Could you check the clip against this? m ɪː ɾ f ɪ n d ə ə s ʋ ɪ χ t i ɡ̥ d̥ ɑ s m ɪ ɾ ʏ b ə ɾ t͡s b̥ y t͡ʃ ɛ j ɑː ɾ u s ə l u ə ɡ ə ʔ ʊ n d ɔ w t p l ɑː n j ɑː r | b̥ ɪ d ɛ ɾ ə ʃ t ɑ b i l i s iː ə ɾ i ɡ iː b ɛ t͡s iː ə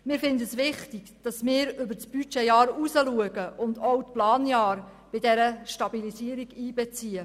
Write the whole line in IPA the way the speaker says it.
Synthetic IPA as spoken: m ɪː ɾ f ɪ n d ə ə s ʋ ɪ χ t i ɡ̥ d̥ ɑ s m ɪː ɾ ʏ b ə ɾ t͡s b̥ y t͡ʃ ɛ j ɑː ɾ u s ə l u ə ɡ ə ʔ ʊ n d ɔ w t p l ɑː n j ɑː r | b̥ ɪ d ɛ ɾ ə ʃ t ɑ b i l i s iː ə ɾ i ɡ iː b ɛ t͡s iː ə